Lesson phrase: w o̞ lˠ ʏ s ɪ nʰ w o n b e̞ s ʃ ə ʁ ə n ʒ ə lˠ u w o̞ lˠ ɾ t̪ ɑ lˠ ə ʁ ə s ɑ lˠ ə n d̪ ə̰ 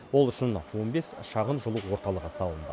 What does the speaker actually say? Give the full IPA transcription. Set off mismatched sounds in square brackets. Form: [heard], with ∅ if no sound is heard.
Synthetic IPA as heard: w o̞ lˠ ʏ [ʃ] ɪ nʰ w o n b e̞ s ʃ [ɑ] ʁ ə n ʒ ə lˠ u w o̞ [∅] ɾ t̪ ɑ lˠ ə ʁ ə s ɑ lˠ ə n d̪ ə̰